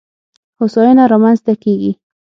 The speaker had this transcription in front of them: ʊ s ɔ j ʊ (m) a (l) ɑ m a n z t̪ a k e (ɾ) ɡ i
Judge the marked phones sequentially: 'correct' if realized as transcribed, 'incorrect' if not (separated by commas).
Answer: incorrect, incorrect, incorrect